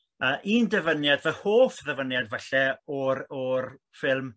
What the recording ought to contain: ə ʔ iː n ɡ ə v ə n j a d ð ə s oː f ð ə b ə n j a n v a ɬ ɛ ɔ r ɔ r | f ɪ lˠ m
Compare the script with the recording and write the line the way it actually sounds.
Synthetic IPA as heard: ə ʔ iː n d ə v ə n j a d v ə h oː f ð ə v ə n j a d v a ɬ ɛ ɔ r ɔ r | f ɪ lˠ m